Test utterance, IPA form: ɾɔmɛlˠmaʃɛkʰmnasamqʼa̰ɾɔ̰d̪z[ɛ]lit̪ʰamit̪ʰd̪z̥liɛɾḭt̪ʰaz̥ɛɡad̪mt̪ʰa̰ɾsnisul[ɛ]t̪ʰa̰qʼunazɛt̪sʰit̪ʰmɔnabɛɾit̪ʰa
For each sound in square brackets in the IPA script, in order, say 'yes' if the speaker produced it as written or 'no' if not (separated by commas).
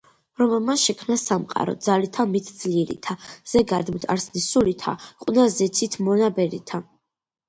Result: no, no